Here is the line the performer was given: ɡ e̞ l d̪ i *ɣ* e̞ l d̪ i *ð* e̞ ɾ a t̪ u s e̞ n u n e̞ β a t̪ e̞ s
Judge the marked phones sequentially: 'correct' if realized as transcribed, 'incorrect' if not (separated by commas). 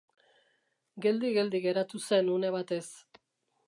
correct, incorrect